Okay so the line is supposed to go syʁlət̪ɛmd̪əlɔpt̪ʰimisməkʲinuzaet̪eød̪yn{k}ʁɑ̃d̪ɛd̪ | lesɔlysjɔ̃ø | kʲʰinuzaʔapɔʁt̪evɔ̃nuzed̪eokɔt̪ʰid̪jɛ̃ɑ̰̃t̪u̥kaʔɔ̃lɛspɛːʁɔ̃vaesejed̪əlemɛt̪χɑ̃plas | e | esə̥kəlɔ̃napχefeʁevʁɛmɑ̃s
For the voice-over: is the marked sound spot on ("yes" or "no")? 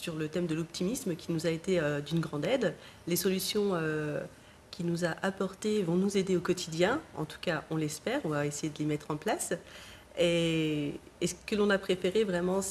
no